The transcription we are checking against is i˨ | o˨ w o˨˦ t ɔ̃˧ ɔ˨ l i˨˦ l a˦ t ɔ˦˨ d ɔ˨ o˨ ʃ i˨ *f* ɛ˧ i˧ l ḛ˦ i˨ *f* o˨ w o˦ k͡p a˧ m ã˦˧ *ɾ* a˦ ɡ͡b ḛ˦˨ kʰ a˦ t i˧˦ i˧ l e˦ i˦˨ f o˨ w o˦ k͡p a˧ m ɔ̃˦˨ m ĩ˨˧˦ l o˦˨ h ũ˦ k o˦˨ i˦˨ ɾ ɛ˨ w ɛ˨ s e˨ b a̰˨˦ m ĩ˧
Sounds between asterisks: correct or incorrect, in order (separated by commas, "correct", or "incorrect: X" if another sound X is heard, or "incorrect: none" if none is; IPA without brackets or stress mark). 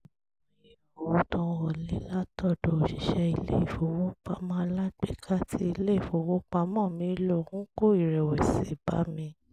incorrect: ʃ, correct, incorrect: l